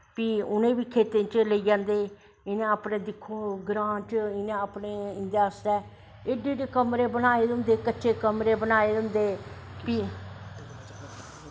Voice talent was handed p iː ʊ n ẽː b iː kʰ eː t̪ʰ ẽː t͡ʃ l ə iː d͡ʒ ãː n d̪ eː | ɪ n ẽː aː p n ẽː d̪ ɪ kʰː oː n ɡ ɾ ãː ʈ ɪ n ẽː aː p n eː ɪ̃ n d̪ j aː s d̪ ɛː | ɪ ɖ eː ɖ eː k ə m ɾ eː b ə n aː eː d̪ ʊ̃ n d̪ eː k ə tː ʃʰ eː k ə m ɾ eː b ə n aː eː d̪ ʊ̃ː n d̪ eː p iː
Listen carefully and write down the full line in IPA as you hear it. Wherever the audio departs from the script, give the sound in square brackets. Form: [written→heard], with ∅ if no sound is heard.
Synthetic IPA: p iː ʊ n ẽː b iː kʰ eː [t̪ʰ→t̪] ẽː t͡ʃ l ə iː d͡ʒ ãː n d̪ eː | ɪ n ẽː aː p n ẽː d̪ ɪ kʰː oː [n→∅] ɡ ɾ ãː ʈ ɪ n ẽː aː p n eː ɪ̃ n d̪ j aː s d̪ ɛː | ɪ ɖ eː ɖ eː k ə m ɾ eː b ə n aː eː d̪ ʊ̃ n d̪ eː k ə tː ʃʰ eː k ə m ɾ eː b ə n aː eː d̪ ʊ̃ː n d̪ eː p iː